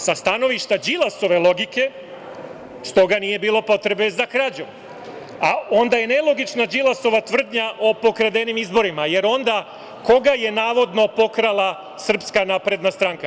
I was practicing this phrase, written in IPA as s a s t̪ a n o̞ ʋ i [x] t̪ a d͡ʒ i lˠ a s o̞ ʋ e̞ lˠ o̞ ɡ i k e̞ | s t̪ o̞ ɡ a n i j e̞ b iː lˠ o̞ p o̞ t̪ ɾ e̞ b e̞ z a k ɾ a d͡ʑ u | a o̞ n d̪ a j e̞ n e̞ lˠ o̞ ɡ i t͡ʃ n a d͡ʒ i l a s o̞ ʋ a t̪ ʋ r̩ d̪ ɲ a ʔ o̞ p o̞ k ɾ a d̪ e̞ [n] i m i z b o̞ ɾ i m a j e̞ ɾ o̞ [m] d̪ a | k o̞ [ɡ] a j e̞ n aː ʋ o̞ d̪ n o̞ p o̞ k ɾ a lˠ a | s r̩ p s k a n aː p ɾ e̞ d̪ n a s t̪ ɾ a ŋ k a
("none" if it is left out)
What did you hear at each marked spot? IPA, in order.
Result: ʃ, n, n, ɡ

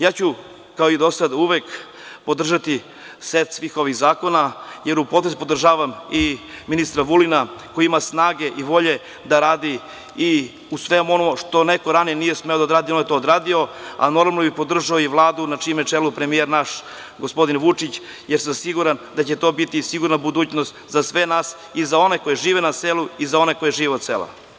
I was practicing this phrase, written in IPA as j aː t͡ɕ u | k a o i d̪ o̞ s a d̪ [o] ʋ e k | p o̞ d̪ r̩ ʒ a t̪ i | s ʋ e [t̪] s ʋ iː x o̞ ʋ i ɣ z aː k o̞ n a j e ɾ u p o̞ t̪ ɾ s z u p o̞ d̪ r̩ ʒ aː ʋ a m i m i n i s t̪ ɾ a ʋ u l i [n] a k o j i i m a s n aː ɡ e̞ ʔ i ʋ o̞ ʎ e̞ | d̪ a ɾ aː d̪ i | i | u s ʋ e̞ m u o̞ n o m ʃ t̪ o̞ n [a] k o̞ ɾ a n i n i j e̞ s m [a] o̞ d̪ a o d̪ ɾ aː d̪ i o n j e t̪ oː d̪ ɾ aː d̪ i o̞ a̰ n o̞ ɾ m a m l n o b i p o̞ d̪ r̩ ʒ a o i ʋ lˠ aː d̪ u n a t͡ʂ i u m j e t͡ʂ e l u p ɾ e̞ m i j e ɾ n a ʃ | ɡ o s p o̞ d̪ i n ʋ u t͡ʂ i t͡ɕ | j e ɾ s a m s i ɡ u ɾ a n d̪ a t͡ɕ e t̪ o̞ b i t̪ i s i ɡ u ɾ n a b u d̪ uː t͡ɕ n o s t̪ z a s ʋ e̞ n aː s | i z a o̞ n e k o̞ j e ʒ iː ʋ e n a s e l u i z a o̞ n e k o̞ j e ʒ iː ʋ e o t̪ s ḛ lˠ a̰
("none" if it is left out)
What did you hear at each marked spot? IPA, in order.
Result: u, t̪, n, e, e

